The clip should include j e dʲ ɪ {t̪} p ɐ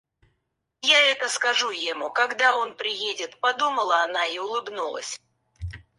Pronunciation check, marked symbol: correct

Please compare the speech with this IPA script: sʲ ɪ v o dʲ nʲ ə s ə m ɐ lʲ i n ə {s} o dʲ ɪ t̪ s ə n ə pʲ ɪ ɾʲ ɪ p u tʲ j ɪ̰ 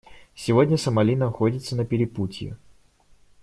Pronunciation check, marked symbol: incorrect: x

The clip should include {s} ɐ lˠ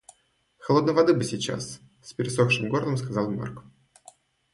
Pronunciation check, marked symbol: incorrect: x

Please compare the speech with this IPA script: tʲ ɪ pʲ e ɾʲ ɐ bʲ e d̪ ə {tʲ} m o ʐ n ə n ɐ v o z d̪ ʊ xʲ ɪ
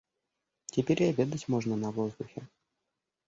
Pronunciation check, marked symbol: correct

